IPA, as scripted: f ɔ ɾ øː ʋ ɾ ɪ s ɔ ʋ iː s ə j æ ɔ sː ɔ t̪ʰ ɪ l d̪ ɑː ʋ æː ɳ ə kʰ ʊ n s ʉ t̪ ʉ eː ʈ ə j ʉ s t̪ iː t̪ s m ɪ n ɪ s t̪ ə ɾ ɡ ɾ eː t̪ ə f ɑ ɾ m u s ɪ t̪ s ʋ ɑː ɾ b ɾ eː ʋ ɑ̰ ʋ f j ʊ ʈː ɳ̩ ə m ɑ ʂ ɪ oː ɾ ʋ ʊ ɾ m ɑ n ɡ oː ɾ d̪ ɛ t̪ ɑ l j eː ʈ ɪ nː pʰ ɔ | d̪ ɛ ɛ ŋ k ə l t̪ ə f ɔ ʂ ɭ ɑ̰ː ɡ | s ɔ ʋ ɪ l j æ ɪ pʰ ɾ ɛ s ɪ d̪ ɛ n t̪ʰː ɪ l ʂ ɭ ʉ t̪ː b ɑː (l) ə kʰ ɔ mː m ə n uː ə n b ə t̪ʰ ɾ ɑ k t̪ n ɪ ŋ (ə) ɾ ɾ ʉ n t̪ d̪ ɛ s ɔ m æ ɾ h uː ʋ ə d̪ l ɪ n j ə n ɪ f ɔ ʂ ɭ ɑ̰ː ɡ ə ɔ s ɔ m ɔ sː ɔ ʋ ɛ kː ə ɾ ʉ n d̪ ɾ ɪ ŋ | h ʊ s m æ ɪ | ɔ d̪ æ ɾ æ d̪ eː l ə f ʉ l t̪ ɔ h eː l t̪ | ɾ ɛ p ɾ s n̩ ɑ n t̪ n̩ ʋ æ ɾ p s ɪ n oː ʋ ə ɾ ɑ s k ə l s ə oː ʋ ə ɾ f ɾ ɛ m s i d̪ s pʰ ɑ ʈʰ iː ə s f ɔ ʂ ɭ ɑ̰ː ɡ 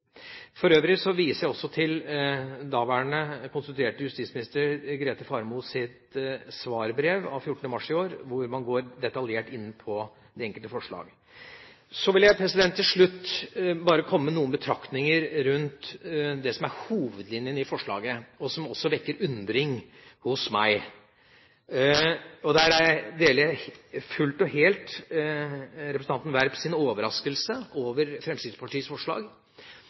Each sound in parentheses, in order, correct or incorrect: incorrect, correct

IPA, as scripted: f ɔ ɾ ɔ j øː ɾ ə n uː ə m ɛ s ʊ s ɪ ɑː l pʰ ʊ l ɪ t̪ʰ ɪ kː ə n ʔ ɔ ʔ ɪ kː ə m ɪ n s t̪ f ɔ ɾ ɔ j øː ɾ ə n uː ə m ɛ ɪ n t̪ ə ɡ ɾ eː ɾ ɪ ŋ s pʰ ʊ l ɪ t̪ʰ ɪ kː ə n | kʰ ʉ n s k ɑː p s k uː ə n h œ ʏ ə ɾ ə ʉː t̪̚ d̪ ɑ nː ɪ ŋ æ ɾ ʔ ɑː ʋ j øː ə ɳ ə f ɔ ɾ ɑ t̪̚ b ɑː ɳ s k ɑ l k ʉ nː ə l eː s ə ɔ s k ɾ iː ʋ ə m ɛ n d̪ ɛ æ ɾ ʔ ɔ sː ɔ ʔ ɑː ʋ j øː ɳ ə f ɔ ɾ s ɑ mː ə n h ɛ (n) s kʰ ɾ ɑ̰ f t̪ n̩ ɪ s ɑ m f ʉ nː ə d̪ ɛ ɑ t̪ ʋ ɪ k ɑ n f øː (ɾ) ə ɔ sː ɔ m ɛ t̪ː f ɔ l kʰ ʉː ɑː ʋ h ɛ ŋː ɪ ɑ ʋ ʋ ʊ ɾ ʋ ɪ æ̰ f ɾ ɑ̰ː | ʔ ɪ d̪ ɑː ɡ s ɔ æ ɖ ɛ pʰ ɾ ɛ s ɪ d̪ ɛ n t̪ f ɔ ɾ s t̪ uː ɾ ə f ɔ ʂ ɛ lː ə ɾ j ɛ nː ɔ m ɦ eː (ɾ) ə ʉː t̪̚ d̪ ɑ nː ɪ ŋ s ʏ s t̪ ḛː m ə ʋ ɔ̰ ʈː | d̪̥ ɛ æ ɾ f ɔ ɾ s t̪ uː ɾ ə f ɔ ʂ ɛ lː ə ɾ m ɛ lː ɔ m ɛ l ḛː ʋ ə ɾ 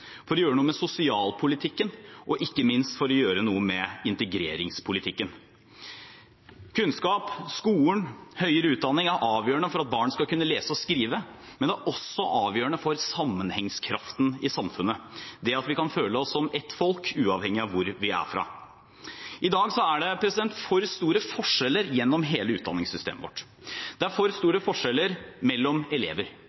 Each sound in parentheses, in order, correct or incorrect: incorrect, incorrect, incorrect

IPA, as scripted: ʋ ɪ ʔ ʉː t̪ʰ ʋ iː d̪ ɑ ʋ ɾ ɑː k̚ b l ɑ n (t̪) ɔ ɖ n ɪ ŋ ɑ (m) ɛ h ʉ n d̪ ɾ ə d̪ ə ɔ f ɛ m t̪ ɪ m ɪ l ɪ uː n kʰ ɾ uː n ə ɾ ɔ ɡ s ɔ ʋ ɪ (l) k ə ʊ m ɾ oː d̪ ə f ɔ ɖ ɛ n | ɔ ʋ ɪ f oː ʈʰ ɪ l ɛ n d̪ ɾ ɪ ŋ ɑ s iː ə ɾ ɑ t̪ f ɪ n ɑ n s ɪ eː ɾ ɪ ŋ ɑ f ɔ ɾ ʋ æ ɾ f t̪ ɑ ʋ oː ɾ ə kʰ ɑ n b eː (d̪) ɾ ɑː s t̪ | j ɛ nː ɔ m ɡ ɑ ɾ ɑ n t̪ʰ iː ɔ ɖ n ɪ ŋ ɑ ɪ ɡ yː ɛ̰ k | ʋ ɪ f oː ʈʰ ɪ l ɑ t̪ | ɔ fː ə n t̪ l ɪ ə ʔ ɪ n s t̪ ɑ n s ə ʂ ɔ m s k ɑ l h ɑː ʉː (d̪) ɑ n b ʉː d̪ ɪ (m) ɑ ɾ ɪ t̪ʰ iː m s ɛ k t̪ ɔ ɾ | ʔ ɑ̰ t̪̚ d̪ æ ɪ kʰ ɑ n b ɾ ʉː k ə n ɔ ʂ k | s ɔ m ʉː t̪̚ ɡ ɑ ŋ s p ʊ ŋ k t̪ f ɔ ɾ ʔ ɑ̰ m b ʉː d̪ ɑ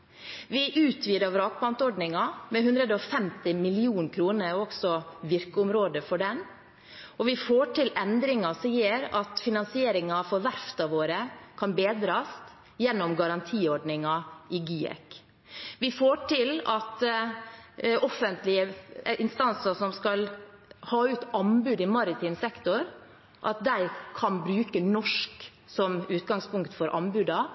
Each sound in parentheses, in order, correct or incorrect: correct, correct, incorrect, correct, incorrect, correct

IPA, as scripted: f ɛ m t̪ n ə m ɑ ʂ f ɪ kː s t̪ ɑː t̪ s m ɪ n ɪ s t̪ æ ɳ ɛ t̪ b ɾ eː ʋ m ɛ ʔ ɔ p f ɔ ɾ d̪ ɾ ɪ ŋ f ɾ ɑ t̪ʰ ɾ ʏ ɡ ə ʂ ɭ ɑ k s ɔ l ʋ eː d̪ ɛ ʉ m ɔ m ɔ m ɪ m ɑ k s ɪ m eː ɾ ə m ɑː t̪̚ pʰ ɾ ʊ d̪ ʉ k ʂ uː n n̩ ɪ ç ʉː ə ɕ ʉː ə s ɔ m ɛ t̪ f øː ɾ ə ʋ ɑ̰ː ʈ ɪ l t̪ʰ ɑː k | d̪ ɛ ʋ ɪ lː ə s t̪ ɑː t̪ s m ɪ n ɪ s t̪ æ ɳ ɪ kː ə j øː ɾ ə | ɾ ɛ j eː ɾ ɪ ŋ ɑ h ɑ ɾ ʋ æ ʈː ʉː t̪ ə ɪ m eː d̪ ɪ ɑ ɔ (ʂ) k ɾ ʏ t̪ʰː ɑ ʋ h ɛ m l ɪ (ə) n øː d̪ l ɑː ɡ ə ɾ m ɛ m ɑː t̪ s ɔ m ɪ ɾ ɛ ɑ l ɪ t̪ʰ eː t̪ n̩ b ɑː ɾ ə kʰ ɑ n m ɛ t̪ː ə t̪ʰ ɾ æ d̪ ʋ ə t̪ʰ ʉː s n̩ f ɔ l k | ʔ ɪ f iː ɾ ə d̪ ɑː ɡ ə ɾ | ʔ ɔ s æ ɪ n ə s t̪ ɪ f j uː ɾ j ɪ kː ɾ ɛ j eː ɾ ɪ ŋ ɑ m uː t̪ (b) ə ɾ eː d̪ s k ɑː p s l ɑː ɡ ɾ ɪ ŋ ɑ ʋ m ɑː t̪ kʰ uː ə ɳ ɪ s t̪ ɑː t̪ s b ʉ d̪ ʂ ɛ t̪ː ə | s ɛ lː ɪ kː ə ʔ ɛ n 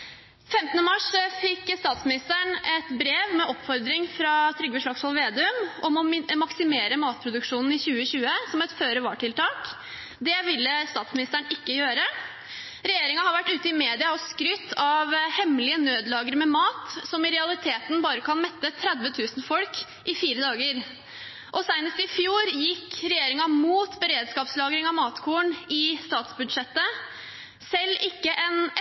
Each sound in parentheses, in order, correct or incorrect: incorrect, correct, correct

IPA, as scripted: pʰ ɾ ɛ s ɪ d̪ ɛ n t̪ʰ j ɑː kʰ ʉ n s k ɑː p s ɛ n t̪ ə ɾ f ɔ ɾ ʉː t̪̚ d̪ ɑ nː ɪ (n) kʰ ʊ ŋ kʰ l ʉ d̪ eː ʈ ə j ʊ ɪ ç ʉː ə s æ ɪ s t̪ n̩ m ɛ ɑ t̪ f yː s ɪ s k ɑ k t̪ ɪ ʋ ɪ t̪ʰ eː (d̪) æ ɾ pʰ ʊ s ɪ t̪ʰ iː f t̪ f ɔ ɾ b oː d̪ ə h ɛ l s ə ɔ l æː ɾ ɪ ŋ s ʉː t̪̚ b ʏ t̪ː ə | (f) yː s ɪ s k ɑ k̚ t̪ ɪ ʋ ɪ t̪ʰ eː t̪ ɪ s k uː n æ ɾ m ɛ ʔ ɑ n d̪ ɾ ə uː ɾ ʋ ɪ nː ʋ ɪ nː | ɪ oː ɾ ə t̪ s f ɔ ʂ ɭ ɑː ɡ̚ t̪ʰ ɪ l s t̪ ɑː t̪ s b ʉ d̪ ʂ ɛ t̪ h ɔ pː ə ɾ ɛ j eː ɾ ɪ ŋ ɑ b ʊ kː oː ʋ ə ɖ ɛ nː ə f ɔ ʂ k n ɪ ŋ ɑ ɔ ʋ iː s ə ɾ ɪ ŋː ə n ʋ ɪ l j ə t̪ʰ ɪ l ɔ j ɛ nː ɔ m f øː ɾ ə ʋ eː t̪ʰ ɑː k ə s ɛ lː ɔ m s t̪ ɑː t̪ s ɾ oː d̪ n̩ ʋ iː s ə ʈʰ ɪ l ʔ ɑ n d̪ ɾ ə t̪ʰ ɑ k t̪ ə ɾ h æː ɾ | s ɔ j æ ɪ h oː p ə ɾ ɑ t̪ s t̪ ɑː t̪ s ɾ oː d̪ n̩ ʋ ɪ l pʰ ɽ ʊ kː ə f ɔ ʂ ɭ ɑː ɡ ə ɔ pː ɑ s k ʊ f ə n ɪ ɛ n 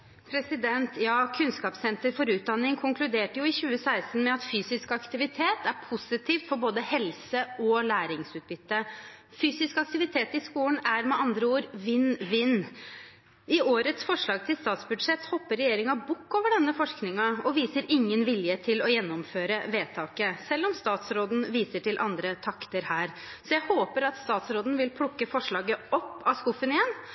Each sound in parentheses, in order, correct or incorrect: incorrect, incorrect, correct

